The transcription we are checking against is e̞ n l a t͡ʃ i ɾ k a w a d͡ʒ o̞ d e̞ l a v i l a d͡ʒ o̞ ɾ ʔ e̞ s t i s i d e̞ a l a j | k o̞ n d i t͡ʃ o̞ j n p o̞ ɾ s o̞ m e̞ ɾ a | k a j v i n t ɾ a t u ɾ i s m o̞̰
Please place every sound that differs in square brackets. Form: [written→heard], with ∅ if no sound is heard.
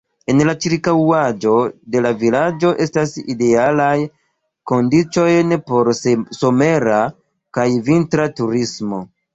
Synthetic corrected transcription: e̞ n l a t͡ʃ i ɾ k a w a d͡ʒ o̞ d e̞ l a v i l a d͡ʒ o̞ [ɾ→∅] ʔ e̞ s t [i→a] s i d e̞ a l a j | k o̞ n d i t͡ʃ o̞ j n p o̞ ɾ s o̞ m e̞ ɾ a | k a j v i n t ɾ a t u ɾ i s m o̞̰